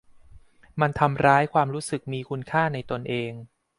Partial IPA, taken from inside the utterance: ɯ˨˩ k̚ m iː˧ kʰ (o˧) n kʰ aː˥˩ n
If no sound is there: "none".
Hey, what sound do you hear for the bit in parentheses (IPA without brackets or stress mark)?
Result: u˧